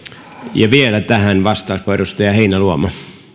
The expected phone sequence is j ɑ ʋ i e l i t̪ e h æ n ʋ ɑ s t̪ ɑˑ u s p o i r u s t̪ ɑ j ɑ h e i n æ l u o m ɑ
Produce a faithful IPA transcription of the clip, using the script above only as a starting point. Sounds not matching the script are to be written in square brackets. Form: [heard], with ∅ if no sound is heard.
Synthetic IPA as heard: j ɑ ʋ i e l [æ] t̪ [æ] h æ n ʋ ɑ s t̪ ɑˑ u s p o [e] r u s t̪ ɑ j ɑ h e i n æ l u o m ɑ